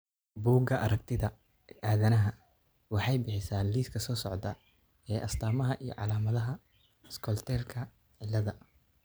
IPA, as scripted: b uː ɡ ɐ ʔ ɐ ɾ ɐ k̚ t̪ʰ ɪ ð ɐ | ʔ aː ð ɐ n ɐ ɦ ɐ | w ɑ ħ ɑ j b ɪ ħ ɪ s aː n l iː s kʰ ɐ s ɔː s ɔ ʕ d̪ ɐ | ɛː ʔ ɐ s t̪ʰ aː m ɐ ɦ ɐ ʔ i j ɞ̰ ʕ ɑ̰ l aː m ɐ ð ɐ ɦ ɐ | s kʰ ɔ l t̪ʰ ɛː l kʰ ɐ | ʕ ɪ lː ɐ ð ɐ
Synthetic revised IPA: b uː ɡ ɐ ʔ ɐ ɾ ɐ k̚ t̪ʰ ɪ ð ɐ | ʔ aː ð ɐ n ɐ ɦ ɐ | w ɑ ħ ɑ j b ɪ ħ ɪ s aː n l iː s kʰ ɐ s ɔː s ɔ ʕ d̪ ɐ | ɛː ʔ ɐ s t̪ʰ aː m ɐ ɦ ɐ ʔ i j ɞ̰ ʕ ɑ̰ l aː m ɐ ð ɐ ɦ ɐ | s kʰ ɔ l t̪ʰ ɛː l kʰ ɐ | ʕ ɪ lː ɐ ð ɐ